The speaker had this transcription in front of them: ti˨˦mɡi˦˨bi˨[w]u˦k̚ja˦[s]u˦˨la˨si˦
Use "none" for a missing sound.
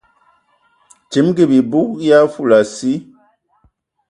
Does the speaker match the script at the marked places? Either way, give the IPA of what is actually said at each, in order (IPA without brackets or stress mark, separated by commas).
b, f